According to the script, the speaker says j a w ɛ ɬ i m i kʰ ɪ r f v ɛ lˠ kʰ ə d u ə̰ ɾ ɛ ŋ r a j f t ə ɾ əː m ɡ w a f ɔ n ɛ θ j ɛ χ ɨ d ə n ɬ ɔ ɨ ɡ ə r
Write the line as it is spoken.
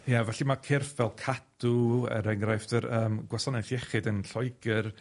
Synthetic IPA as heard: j a v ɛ ɬ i m a kʰ ɪ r f v ɛ lˠ kʰ a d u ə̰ ɾ ɛ ŋ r a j f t ə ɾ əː m ɡ w a s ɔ n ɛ θ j ɛ χ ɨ d ə n ɬ ɔ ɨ ɡ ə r